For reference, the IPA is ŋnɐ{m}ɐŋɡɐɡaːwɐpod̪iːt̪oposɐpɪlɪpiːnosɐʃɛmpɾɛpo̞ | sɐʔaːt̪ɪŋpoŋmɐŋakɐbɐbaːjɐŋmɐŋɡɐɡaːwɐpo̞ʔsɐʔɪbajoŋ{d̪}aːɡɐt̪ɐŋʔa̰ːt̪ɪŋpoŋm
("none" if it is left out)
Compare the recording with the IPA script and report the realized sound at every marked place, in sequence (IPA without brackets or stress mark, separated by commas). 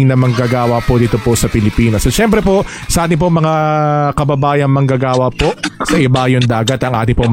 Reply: m, d̪